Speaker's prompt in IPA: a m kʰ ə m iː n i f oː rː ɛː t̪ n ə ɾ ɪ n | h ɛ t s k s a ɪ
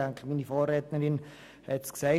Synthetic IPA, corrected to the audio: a ŋ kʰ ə m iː n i f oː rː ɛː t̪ n ə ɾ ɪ n | h ɛ t s k s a ɪ